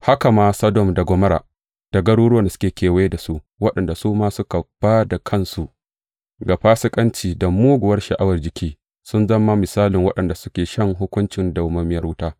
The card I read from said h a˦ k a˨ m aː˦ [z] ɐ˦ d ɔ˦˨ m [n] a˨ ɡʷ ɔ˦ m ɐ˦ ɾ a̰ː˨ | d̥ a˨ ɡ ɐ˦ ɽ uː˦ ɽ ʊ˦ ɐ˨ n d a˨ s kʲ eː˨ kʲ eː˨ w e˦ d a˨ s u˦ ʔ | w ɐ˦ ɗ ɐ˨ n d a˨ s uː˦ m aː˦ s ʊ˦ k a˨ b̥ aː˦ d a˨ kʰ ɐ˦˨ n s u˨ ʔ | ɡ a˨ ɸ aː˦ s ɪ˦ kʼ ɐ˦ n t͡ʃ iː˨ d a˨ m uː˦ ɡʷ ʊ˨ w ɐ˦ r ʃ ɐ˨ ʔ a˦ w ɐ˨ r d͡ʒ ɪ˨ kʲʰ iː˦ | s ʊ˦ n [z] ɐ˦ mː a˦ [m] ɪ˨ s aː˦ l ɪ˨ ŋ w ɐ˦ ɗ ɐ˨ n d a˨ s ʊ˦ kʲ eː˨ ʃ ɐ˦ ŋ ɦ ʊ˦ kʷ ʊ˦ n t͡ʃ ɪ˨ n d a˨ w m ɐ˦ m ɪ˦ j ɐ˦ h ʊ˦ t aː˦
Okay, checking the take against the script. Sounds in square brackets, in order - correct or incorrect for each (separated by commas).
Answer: incorrect, incorrect, correct, correct